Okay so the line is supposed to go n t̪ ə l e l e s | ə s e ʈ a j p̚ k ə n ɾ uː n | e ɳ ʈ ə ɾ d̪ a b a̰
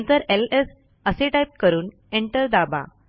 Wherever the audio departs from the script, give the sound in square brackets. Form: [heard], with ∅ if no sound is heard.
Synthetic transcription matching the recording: n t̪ ə [ɾ] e l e s | ə s e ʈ a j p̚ k ə [∅] ɾ uː n | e ɳ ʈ ə ɾ d̪ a b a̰